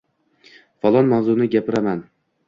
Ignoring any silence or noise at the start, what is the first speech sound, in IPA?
f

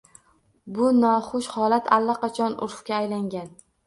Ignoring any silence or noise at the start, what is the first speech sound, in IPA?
b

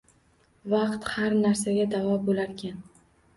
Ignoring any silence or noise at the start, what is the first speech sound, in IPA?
v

